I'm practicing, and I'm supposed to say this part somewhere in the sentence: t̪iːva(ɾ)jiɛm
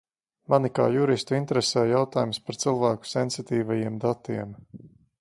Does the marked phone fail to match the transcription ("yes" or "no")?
yes